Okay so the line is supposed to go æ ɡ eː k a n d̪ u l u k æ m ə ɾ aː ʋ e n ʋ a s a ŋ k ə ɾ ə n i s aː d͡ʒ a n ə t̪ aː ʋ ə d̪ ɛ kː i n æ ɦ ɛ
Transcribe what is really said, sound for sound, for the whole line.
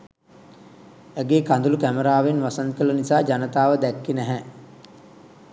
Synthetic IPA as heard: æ ɡ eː k a n d̪ u l u k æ m ə ɾ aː ʋ e n ʋ a s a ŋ k ə l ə n i s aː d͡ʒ a n ə t̪ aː ʋ ə d̪ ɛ kː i n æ ɦ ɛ